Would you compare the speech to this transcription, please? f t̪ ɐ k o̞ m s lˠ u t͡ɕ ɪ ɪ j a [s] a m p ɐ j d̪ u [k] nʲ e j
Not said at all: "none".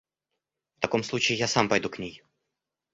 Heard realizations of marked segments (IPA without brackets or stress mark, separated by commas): s, k